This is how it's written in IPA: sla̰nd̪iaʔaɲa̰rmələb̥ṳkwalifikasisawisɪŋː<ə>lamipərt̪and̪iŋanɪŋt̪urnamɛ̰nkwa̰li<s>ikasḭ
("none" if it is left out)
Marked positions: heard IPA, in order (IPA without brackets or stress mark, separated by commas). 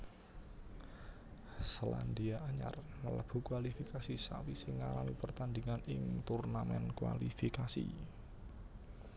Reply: a, f